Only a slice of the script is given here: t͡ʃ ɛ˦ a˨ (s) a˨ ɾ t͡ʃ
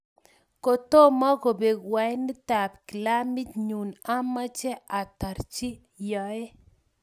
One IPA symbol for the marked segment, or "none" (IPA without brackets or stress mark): t